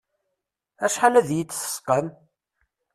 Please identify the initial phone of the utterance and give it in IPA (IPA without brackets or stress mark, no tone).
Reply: æ